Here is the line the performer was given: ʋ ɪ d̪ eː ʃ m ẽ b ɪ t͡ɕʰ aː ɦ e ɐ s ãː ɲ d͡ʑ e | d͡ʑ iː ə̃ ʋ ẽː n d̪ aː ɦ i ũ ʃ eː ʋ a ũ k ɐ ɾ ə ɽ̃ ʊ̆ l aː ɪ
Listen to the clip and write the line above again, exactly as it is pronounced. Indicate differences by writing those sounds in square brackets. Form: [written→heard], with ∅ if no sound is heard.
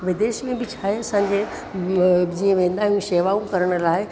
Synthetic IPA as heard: ʋ ɪ d̪ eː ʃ m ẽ b ɪ t͡ɕʰ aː ɦ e ɐ s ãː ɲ d͡ʑ e | d͡ʑ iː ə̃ ʋ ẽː n d̪ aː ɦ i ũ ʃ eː ʋ a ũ k ɐ ɾ ə ɽ̃ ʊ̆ l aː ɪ